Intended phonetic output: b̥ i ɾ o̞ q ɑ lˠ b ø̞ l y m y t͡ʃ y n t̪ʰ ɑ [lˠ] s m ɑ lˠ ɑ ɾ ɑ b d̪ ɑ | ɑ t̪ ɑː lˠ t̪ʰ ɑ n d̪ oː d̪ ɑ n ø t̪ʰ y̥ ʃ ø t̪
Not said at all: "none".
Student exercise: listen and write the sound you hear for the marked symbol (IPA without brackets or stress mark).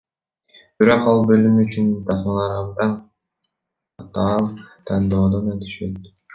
none